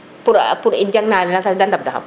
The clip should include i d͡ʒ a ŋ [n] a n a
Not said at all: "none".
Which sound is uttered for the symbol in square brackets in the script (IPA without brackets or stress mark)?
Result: n